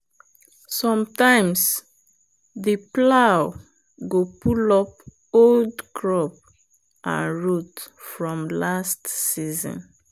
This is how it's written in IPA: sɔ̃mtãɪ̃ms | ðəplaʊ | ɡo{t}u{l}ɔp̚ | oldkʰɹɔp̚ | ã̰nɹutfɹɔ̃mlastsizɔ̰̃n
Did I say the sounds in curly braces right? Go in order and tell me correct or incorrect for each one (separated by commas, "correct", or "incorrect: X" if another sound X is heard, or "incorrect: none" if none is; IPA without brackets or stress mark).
incorrect: p, correct